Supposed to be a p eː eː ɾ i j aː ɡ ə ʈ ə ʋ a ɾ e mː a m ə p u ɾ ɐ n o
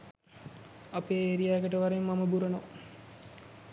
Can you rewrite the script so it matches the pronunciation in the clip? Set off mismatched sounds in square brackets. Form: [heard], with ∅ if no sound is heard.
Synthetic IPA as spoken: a p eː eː ɾ i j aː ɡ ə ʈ ə ʋ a ɾ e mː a m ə [b] u ɾ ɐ n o